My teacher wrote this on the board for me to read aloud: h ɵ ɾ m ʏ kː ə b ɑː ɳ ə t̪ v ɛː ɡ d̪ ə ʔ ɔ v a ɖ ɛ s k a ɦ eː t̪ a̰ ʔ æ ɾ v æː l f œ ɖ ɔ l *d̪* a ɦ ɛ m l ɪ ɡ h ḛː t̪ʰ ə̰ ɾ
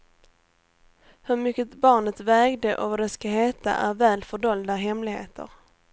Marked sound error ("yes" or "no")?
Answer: no